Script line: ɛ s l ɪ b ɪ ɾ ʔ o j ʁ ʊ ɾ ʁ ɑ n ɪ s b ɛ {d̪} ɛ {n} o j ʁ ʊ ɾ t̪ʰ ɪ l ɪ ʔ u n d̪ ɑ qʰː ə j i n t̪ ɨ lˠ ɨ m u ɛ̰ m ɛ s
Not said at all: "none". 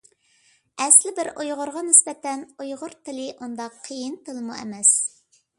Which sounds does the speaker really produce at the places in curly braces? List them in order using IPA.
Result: t̪, n

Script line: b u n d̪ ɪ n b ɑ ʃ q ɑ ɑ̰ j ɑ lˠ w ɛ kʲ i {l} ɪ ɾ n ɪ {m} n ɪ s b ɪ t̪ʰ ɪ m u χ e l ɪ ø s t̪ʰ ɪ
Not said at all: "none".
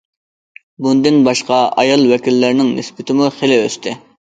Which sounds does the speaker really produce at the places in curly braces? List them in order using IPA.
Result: lː, ŋ

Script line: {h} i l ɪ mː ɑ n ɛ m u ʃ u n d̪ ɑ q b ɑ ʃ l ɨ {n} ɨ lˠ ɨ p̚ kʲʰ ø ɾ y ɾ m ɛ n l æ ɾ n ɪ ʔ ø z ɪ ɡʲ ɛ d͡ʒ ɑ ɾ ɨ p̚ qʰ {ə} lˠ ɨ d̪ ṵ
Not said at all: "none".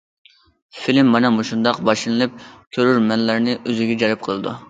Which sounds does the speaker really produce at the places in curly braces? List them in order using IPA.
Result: f, n, ə

